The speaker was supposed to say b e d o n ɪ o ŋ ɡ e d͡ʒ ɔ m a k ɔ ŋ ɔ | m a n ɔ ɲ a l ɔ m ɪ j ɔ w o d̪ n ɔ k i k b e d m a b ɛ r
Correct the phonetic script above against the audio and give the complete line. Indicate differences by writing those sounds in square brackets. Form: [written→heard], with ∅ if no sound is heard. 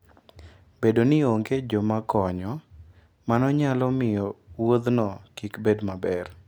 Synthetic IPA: b e d o n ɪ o ŋ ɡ e d͡ʒ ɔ m a k ɔ [ŋ→ɲ] ɔ | m a n ɔ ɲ a l ɔ m ɪ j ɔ w o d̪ n ɔ k i k b e d m a b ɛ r